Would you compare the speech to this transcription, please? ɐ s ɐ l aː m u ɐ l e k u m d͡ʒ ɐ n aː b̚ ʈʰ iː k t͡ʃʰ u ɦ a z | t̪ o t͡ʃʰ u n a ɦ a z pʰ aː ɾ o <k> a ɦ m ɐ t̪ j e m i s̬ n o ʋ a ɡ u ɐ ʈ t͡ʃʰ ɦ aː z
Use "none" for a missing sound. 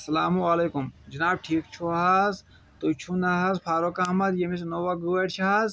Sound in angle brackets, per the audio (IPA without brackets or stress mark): k